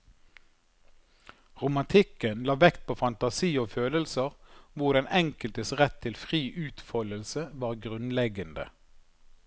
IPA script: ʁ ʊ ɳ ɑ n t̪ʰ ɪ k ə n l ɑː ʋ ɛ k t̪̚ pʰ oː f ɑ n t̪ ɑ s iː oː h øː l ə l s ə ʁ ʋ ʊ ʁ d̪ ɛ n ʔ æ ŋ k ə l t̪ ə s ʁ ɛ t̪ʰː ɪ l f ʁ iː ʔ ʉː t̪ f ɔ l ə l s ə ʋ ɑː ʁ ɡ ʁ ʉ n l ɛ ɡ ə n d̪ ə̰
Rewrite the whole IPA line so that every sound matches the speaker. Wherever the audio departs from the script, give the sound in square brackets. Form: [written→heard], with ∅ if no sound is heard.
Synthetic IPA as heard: ʁ ʊ [ɳ→m] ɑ n t̪ʰ ɪ k ə n l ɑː ʋ ɛ k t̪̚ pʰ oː f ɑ n t̪ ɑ s iː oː [h→f] øː l ə l s ə ʁ ʋ ʊ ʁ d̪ ɛ n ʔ [æ→ɛ] ŋ k ə l t̪ ə s ʁ ɛ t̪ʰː ɪ l f ʁ iː ʔ ʉː t̪ f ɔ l ə l s ə ʋ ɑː ʁ ɡ ʁ ʉ n l ɛ ɡ ə n d̪ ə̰

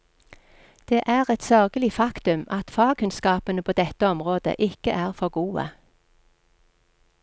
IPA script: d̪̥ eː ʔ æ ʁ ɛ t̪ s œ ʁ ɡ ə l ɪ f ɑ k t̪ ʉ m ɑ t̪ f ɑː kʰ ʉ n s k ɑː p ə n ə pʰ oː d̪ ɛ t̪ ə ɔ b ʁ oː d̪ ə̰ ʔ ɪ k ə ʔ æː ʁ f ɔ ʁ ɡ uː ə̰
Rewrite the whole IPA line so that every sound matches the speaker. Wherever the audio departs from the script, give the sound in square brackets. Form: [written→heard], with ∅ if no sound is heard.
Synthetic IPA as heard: d̪̥ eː ʔ [æ→æː] ʁ ɛ t̪ s œ ʁ ɡ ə l ɪ f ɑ k t̪ ʉ m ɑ t̪ f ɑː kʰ ʉ n s k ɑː p ə n ə pʰ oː d̪ ɛ t̪ ə ɔ [b→m] ʁ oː d̪ ə̰ ʔ ɪ k ə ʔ æː ʁ f ɔ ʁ ɡ uː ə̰

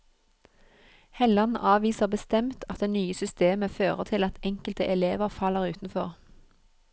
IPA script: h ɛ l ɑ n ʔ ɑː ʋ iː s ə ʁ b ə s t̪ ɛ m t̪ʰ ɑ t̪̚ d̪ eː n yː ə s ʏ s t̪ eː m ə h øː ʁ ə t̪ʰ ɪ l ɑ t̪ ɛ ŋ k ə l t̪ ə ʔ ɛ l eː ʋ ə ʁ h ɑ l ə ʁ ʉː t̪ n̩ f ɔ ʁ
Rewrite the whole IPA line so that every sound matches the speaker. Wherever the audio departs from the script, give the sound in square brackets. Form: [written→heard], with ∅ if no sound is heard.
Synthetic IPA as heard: h ɛ l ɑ n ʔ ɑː ʋ iː s ə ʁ b ə s t̪ ɛ m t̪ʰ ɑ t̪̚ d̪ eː n yː ə s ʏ s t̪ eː m ə [h→f] øː ʁ ə t̪ʰ ɪ l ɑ t̪ ɛ ŋ k ə l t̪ ə ʔ ɛ l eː ʋ ə ʁ [h→f] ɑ l ə ʁ ʉː t̪ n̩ f ɔ ʁ

